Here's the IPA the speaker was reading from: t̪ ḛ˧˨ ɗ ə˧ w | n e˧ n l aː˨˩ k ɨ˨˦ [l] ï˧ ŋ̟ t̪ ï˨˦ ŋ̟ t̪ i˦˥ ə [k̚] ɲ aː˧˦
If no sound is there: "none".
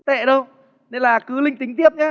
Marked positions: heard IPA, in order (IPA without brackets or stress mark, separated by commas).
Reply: l, p̚